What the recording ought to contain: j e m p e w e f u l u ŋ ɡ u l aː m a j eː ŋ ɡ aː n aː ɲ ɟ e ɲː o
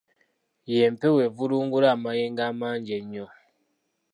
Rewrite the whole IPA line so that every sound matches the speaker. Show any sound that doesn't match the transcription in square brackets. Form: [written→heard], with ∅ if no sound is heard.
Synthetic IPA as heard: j e m p e w e [f→v] u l [u→uː] ŋ ɡ u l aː m a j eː ŋ ɡ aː [n→m] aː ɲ ɟ e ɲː o